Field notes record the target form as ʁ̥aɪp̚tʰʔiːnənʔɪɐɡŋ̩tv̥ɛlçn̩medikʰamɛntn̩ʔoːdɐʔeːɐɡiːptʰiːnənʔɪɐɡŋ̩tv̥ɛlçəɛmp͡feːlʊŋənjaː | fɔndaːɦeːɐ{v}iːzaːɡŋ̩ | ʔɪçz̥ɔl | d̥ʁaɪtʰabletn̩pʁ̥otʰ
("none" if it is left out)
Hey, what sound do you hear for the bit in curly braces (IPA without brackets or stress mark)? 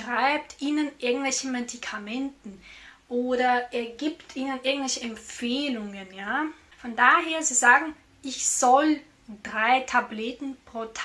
z